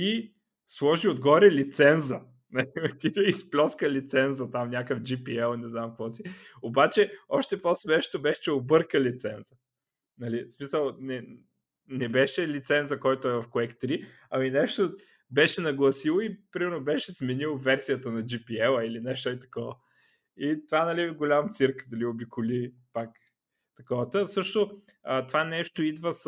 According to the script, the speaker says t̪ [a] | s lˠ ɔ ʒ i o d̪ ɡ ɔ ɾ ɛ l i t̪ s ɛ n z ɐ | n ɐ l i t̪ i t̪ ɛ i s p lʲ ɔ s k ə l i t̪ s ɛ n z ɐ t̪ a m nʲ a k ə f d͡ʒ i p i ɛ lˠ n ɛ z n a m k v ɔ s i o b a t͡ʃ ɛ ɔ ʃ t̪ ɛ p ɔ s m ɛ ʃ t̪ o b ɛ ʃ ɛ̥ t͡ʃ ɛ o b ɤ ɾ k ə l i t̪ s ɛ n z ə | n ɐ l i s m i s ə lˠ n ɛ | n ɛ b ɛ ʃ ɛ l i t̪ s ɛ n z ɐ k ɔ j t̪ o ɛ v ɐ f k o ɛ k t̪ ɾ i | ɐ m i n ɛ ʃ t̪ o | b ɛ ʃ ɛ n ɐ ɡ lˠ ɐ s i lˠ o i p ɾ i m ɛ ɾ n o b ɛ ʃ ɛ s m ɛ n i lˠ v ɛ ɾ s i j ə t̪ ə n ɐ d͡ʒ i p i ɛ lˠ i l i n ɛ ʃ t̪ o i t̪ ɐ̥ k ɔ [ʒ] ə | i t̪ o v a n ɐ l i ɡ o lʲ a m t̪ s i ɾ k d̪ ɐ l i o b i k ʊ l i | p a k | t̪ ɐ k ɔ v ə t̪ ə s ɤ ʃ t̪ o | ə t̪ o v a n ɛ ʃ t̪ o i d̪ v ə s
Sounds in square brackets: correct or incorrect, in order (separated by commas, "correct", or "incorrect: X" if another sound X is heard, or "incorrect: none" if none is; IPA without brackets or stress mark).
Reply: incorrect: i, incorrect: v